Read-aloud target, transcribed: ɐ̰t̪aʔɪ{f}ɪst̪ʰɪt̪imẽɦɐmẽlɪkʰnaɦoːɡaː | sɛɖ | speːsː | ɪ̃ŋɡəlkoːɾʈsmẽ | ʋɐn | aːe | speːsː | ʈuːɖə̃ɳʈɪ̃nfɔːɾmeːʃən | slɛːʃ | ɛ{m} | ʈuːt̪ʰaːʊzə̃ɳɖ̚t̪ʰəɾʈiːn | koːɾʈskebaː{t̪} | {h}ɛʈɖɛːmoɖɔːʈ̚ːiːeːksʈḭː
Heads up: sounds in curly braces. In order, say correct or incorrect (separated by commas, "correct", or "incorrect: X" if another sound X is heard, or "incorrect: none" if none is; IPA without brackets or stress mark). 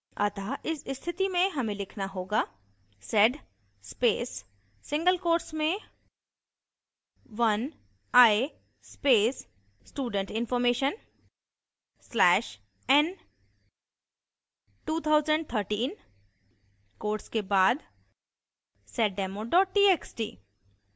incorrect: s, incorrect: n, incorrect: d̪, incorrect: s